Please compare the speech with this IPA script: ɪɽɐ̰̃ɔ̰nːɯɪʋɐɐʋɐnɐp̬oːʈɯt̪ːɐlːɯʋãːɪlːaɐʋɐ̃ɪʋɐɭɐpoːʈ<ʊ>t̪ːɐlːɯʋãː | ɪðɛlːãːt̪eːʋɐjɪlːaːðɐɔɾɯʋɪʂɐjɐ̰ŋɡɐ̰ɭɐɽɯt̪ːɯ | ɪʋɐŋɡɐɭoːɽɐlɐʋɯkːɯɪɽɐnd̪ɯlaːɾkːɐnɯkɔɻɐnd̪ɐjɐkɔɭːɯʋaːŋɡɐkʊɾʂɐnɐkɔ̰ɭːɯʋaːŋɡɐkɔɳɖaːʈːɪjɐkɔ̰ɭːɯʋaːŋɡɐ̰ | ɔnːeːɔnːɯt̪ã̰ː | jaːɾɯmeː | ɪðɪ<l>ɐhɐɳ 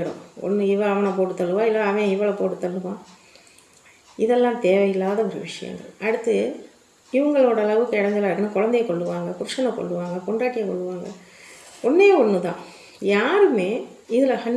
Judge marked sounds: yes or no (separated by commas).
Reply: no, yes